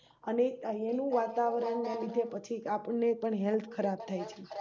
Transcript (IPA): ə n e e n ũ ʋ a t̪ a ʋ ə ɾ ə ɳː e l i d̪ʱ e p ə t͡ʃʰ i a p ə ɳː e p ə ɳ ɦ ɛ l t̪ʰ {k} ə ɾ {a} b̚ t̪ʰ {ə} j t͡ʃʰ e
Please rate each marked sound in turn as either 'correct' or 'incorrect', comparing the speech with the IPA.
incorrect: kʰ, correct, incorrect: a

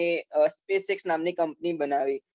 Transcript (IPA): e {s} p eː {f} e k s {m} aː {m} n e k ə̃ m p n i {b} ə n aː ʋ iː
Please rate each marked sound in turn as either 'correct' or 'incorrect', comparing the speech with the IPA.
correct, incorrect: s, incorrect: n, correct, correct

